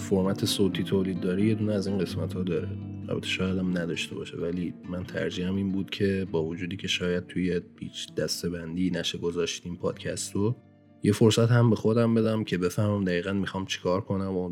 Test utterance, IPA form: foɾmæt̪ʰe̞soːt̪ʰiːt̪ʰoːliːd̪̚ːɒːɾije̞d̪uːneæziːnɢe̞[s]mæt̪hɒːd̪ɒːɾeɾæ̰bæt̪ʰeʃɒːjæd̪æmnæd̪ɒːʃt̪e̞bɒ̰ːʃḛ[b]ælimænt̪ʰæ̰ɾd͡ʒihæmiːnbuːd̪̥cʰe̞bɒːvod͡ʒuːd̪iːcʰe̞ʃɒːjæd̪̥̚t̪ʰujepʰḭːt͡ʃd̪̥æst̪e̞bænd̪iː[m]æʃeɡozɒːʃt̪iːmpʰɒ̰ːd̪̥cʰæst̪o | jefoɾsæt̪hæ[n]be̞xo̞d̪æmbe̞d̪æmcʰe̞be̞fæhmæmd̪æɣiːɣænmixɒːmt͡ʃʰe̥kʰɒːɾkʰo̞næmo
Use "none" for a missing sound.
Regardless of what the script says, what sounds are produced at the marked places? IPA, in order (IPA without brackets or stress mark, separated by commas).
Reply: s, v, n, m